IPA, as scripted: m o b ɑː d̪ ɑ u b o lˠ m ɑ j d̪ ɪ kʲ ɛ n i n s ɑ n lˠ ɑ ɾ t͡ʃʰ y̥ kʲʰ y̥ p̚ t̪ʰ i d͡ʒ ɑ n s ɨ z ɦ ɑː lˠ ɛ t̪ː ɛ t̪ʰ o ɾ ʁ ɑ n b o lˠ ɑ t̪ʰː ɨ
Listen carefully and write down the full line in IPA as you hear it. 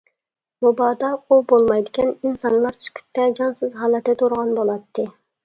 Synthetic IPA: m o b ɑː d̪ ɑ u b o lˠ m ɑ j d̪ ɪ kʲ ɛ n i n s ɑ n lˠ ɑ ɾ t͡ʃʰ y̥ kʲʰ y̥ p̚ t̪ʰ ɛ d͡ʒ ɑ n s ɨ z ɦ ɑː lˠ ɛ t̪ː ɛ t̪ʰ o ɾ ʁ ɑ n b o lˠ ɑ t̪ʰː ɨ